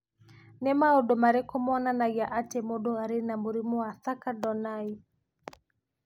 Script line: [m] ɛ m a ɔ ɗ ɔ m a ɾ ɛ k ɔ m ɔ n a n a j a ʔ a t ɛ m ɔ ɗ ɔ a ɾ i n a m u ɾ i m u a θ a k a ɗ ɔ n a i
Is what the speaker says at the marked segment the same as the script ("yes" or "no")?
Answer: no